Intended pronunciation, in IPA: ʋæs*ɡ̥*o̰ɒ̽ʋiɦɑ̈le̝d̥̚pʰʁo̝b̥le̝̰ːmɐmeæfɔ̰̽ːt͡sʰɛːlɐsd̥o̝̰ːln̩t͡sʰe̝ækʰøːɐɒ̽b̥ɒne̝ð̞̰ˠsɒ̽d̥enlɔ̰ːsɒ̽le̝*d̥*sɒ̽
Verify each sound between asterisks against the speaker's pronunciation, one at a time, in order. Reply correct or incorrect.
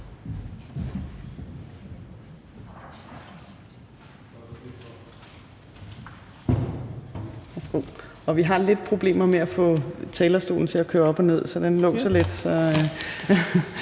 correct, correct

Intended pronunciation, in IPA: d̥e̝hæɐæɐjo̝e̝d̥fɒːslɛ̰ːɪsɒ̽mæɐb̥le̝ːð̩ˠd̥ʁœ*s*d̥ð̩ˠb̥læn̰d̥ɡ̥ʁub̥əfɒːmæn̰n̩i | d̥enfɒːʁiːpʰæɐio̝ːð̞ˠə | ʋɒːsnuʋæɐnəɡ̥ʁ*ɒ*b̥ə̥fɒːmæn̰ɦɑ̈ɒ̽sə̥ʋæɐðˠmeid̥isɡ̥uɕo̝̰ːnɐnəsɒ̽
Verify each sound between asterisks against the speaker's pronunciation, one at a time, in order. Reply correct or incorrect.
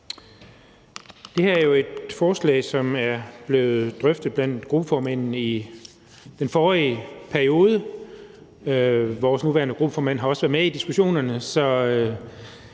incorrect: f, incorrect: u

